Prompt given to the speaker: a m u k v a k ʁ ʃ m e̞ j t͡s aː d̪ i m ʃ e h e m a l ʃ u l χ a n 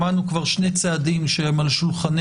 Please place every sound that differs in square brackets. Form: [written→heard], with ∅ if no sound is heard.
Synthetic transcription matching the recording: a [m→n] u k v a [k→∅] ʁ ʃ [m→n] e̞ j t͡s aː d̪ i m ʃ e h e m a l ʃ u l χ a n